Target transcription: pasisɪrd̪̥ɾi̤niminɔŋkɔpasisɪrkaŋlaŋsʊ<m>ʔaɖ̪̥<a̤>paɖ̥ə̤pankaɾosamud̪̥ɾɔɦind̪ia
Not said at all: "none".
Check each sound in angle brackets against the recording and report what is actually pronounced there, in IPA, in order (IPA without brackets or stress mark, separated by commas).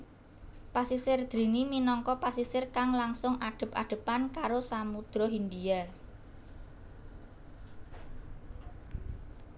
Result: ŋ, ə̤